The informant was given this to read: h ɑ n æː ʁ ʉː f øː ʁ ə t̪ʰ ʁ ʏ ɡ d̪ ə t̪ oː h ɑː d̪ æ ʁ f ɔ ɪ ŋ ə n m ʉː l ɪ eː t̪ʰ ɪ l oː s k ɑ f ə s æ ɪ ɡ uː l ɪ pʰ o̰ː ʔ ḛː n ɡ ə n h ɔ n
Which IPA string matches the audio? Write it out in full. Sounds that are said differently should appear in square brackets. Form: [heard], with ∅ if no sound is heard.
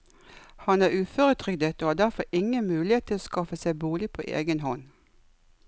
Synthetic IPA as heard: h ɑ n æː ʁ ʉː f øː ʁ ə t̪ʰ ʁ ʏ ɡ d̪ ə t̪ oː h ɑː d̪ æ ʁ f ɔ ɪ ŋ ə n m ʉː l ɪ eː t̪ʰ ɪ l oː s k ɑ f ə s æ ɪ [b] uː l ɪ pʰ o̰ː ʔ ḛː [∅] ɡ ə n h ɔ n